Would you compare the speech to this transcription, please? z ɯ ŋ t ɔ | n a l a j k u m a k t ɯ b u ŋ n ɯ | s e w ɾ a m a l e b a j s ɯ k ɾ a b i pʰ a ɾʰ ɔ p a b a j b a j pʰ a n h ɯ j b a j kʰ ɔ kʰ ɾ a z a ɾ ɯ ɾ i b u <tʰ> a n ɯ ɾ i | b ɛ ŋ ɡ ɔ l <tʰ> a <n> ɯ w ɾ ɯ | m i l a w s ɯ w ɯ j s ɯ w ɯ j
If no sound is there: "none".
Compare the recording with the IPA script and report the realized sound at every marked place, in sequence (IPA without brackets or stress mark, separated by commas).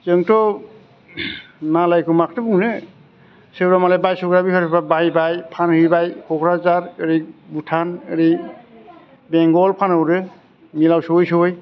tʰ, pʰ, n